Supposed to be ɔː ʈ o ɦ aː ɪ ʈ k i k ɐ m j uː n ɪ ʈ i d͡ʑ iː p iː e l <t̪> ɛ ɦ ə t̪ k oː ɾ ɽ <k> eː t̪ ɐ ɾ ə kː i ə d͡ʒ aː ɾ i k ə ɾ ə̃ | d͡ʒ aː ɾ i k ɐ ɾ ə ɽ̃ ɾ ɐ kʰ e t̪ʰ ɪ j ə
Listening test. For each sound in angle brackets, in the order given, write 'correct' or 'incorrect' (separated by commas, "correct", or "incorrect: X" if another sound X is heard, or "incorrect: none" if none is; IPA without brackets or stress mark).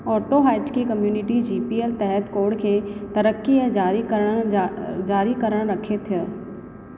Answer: correct, incorrect: kʰ